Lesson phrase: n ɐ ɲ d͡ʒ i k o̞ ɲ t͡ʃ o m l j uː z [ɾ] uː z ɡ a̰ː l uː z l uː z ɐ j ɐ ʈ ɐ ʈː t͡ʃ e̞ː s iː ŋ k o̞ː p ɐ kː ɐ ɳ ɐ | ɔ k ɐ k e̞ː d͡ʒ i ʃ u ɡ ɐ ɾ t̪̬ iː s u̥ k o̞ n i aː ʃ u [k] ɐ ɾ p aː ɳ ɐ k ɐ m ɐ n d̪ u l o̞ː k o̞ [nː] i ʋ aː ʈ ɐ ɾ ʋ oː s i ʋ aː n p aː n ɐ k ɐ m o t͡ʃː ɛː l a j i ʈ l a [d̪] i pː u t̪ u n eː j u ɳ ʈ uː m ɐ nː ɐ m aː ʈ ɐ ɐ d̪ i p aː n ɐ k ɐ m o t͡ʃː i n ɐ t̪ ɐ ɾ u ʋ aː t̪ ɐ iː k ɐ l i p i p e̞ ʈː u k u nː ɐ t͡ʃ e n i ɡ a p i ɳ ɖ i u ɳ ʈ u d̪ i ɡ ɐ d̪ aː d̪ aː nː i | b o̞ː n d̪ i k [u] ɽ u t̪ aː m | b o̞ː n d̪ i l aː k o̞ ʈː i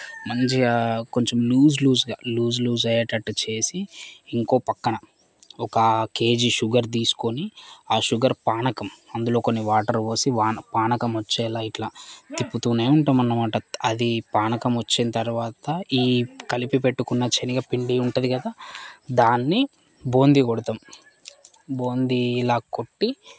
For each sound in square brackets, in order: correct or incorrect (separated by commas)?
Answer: incorrect, incorrect, correct, incorrect, incorrect